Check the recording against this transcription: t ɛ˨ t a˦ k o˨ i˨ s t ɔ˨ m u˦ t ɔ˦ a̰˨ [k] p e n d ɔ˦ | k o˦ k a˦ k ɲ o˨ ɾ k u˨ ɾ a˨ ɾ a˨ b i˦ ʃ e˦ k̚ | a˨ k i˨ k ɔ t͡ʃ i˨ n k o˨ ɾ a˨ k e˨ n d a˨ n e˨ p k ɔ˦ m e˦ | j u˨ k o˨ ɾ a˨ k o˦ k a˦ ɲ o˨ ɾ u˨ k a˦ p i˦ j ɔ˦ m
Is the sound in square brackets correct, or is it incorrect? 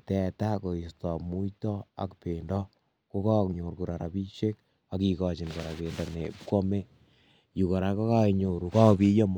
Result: correct